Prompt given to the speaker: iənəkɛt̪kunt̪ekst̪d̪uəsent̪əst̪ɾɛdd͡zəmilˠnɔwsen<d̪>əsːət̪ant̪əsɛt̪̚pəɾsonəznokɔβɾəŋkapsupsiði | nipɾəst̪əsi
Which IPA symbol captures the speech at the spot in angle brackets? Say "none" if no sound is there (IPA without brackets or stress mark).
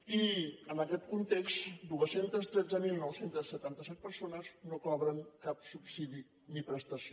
t̪